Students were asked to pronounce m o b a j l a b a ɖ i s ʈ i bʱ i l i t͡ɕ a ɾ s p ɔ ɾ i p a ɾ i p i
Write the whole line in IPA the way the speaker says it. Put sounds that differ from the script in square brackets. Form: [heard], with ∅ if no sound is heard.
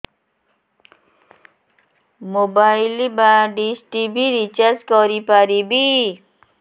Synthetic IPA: m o b a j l [i] b a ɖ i s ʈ i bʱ i [ɾ] i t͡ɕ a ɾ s [k] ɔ ɾ i p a ɾ i [b] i